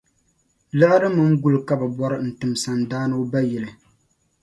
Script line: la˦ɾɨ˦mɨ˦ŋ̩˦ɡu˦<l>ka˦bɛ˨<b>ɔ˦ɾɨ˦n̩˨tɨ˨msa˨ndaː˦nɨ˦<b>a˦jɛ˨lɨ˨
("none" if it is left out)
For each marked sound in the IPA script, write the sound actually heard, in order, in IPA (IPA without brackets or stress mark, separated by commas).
l, b, b